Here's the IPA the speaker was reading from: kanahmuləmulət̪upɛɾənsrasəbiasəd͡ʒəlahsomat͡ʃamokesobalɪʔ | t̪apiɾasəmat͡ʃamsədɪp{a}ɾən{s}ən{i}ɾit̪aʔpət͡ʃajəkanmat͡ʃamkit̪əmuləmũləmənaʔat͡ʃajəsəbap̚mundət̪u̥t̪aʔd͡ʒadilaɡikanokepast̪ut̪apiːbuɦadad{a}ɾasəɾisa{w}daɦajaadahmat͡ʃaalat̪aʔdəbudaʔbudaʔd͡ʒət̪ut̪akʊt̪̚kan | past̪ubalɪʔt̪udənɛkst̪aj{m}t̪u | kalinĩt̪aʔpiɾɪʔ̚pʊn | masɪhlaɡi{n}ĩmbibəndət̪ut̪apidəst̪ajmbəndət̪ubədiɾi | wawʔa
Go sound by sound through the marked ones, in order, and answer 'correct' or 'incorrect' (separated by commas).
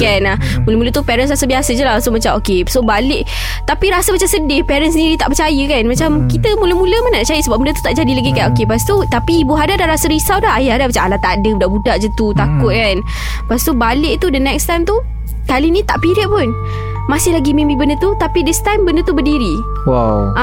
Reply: incorrect, correct, correct, correct, correct, correct, incorrect